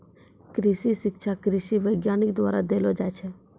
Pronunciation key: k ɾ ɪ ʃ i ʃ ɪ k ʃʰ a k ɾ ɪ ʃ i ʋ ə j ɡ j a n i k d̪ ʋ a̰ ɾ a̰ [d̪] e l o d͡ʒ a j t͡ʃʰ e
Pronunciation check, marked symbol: correct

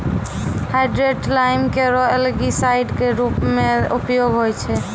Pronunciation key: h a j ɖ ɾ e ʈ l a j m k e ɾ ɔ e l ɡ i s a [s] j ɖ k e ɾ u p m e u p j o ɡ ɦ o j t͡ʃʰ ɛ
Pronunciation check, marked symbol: incorrect: none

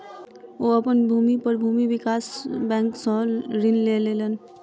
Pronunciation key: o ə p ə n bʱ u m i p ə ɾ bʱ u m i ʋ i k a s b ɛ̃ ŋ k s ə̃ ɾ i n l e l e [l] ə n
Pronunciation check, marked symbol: correct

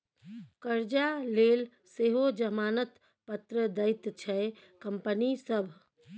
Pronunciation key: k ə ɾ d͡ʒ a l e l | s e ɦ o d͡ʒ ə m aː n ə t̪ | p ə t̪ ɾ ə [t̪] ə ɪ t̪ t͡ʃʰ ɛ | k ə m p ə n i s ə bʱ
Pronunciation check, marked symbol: incorrect: d̪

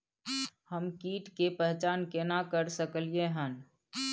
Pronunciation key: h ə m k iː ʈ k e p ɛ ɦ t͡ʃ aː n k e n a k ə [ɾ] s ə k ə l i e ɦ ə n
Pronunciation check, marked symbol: correct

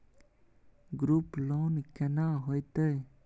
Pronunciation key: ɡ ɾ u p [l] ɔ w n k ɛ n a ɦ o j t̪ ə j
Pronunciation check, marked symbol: correct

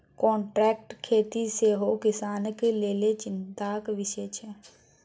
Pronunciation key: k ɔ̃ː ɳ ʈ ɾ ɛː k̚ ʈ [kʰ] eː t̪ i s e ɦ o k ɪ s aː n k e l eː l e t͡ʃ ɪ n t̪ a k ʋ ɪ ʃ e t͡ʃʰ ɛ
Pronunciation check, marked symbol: correct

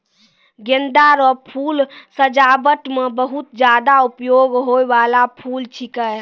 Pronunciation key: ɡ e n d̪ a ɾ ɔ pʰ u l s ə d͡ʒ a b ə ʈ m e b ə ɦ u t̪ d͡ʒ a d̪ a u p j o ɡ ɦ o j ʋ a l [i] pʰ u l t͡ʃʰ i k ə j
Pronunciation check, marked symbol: incorrect: a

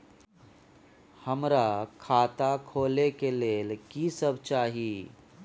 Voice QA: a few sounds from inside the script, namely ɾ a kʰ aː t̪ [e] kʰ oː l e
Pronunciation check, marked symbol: incorrect: a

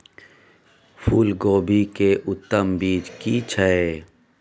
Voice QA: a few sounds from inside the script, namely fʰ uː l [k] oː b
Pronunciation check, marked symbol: incorrect: ɡ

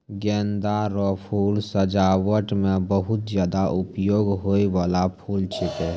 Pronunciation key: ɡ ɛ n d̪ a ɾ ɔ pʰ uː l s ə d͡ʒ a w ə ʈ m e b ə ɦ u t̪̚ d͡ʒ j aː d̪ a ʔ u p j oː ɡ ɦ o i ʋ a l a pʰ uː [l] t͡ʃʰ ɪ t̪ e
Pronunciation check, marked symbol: correct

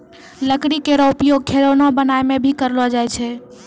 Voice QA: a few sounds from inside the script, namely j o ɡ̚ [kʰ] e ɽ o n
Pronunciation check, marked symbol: correct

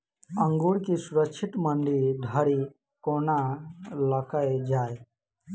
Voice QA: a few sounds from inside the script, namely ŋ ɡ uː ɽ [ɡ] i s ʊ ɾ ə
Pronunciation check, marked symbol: incorrect: k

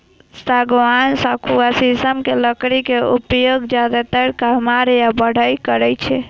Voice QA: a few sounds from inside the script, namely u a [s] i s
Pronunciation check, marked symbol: correct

